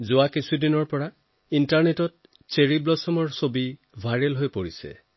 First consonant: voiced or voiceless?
voiced